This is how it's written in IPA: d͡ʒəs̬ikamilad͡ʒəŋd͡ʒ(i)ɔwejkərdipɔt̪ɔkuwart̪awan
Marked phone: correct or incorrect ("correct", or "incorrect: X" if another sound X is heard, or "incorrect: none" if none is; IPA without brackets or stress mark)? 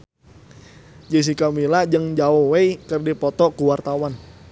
incorrect: a